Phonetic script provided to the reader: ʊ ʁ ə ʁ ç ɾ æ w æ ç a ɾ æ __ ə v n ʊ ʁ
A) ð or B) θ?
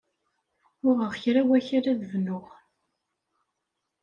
A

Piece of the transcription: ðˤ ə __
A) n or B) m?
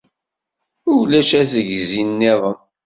B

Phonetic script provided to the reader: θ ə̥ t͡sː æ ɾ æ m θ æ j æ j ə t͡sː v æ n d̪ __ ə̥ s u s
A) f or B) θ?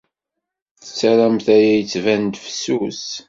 A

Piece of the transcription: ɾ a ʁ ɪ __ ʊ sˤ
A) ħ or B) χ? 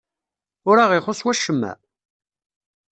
B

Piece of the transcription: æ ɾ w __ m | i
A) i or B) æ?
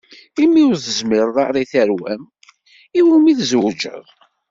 B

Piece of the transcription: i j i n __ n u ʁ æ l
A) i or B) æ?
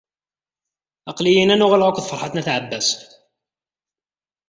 B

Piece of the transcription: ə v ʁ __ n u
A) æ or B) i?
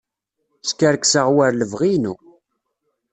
B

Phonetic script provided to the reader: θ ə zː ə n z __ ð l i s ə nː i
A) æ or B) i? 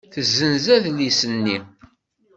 A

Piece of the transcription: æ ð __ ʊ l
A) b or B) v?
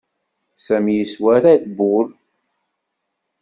A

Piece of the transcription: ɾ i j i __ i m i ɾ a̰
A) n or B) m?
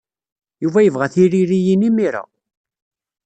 A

